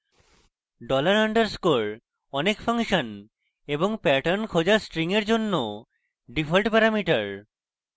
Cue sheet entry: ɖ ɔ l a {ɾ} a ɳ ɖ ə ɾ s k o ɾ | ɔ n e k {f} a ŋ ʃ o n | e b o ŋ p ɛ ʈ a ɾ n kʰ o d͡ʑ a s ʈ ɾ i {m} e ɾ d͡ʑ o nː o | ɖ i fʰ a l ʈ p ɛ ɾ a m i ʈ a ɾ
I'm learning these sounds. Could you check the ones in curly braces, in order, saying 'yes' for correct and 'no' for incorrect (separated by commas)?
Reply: yes, yes, no